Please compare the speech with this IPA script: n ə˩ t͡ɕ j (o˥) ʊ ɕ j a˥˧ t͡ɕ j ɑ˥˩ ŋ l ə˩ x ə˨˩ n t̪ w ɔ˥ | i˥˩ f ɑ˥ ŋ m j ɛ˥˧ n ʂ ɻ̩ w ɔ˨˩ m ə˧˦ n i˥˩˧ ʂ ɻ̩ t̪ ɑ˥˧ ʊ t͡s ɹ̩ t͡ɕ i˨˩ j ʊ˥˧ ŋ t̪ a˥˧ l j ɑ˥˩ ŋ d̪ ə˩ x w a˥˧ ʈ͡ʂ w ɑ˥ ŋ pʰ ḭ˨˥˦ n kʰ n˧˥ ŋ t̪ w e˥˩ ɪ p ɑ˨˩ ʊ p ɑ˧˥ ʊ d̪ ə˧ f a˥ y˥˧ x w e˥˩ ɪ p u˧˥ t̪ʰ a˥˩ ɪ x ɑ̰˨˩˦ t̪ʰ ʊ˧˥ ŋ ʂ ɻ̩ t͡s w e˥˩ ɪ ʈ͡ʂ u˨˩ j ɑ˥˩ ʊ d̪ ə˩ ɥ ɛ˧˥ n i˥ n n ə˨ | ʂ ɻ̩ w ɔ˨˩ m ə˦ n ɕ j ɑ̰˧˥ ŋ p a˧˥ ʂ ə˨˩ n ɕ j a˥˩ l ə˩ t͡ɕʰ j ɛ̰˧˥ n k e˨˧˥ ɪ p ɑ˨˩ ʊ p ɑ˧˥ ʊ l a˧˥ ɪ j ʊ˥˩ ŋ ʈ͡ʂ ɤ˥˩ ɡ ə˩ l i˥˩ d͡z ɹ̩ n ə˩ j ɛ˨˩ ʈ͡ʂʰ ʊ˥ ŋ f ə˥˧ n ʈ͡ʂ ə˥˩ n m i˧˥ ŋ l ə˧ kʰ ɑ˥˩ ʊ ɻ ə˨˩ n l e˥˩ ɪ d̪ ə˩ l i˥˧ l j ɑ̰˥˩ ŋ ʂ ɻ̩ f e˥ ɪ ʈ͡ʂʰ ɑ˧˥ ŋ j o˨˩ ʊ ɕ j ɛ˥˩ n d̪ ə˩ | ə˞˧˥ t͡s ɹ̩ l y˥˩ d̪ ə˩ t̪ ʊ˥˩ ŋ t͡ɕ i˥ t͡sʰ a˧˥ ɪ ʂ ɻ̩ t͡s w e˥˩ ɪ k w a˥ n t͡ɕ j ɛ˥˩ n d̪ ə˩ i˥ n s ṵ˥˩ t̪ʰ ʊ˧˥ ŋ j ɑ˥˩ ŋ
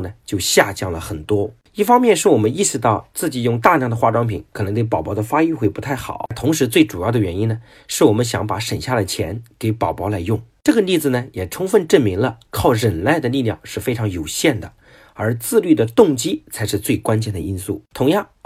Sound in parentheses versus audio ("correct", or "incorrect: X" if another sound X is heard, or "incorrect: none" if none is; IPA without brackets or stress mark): incorrect: o˥˧